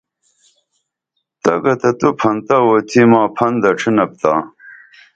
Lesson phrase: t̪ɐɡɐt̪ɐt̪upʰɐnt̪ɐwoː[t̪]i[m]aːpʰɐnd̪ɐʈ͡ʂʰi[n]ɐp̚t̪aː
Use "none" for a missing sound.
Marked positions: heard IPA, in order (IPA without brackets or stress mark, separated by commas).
t̪ʰ, m, n